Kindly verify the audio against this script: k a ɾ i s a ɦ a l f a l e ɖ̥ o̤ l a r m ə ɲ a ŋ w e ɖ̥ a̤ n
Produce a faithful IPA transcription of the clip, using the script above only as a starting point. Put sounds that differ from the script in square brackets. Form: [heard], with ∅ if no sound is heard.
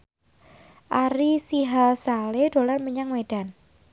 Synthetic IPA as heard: [ʔ] a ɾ i s [i] ɦ a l [s] a l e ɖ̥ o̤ l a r m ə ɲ a ŋ w e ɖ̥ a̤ n

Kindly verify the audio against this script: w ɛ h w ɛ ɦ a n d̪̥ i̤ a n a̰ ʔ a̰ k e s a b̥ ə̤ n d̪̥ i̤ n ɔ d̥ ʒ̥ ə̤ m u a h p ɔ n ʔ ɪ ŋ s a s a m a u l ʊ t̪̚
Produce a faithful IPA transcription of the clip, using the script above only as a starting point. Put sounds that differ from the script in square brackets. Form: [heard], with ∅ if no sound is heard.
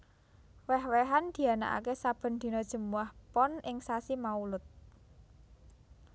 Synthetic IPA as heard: w ɛ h w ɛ ɦ a n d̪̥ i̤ a n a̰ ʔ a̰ k e s a b̥ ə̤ n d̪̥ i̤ n ɔ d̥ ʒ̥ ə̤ m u a h p ɔ n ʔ ɪ ŋ s a s [i] m a u l ʊ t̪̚

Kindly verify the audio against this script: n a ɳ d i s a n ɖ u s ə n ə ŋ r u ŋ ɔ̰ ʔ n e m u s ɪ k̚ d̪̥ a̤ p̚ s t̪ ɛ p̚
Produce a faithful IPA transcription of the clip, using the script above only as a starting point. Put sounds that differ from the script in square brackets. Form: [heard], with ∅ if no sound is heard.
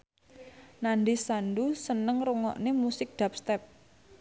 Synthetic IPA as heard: n a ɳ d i s a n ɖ u s ə n ə ŋ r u ŋ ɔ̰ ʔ n e m u s ɪ k̚ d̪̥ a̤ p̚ s t̪ ɛ p̚

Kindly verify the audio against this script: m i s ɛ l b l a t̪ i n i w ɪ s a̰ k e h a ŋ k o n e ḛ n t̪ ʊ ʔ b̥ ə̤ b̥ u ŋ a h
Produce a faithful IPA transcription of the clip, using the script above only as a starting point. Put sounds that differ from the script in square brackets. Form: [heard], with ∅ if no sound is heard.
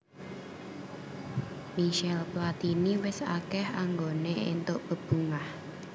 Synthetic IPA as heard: m i [ʃ] ɛ l [p] l a t̪ i n i w ɪ s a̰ k [ɛ] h a ŋ [ɡ] o n e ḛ n t̪ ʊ ʔ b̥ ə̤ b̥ u ŋ a h

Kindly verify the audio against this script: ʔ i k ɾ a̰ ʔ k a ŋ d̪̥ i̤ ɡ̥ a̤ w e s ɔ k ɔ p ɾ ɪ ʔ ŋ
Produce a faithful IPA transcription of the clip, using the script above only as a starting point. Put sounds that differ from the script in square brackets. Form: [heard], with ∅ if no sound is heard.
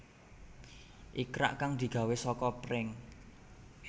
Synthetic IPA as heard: ʔ i k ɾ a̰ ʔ k a ŋ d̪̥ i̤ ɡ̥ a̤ w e s ɔ k ɔ p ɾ ɪ [∅] ŋ

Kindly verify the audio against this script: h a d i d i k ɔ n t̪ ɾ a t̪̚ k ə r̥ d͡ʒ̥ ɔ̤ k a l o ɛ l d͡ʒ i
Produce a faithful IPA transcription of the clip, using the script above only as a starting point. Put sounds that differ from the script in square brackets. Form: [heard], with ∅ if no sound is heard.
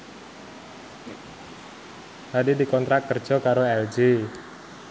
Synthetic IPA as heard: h a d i d i k ɔ n t̪ ɾ a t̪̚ k ə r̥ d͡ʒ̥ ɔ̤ k a [ɾ] o ɛ l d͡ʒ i

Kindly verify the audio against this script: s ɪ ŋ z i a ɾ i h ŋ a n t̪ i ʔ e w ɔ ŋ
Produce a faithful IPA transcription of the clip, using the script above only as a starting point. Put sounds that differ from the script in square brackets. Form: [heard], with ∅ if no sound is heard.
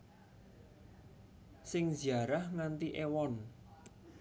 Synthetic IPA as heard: s ɪ ŋ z i a ɾ [a] h ŋ a n t̪ i ʔ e w ɔ [n]

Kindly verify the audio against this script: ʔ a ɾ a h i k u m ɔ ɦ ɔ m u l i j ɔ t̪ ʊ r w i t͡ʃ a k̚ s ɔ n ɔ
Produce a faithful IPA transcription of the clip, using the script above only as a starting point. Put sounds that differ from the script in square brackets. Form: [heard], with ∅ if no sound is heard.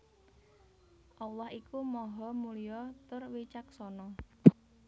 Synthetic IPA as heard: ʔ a [l] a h i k u m ɔ ɦ ɔ m u l i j ɔ t̪ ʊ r w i t͡ʃ a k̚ s ɔ n ɔ

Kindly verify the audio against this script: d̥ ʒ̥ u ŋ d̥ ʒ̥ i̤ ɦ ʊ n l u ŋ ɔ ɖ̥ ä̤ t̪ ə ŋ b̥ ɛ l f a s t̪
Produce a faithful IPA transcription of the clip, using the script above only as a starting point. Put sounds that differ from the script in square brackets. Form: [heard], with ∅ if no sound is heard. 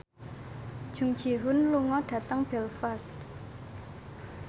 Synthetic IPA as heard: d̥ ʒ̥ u ŋ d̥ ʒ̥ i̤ ɦ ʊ n l u ŋ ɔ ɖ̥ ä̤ t̪ ə ŋ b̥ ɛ l f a s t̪

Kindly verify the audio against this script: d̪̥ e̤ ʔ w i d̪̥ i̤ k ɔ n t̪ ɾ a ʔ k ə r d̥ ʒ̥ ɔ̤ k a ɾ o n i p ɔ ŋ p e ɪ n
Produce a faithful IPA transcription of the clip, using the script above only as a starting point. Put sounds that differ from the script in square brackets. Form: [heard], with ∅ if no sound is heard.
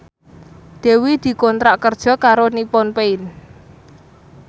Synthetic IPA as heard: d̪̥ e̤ [∅] w i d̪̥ i̤ k ɔ n t̪ ɾ a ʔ k ə r d̥ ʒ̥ ɔ̤ k a ɾ o n i p ɔ [n] p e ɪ n

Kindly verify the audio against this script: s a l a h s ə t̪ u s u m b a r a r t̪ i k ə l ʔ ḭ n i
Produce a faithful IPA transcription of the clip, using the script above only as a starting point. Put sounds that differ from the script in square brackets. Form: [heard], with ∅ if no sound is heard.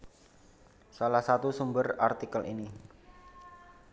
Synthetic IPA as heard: s a l a h s [a] t̪ u s u m b [ə] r a r t̪ i k ə l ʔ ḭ n i

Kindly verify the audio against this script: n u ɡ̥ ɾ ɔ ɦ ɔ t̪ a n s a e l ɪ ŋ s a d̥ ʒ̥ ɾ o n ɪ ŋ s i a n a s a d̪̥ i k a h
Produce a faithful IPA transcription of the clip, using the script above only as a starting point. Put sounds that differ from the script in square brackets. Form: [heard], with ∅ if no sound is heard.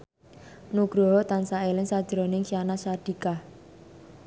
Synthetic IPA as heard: n u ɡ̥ ɾ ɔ ɦ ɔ t̪ a n s a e l ɪ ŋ s a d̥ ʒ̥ ɾ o n ɪ ŋ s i a n a s a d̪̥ i k a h

